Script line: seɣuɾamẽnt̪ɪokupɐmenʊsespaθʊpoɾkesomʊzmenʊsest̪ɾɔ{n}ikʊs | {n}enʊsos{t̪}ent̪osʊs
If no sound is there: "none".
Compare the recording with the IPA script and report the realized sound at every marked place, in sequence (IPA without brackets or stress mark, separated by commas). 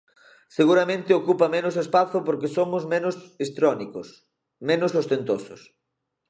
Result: n, m, t̪